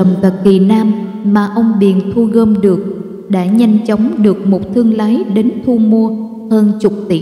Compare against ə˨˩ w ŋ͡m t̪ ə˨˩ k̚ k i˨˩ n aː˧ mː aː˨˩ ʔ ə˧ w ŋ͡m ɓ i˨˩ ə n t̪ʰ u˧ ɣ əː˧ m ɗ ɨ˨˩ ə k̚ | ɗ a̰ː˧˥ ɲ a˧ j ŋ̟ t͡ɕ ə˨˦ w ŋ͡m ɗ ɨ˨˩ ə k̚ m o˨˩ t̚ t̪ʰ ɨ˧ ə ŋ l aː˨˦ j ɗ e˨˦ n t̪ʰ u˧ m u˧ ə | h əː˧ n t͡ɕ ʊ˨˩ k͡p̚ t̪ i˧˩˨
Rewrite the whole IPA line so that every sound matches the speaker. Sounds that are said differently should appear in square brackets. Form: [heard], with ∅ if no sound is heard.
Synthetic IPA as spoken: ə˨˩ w ŋ͡m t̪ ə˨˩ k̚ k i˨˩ n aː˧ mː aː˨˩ ʔ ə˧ w ŋ͡m ɓ i˨˩ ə n t̪ʰ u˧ ɣ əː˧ m ɗ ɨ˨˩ ə k̚ | ɗ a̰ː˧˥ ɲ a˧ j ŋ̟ t͡ɕ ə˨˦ w ŋ͡m ɗ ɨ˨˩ ə k̚ m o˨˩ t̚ t̪ʰ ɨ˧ ə ŋ l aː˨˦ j ɗ e˨˦ n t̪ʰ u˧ m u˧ ə | h əː˧ n t͡ɕ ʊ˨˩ k͡p̚ t̪ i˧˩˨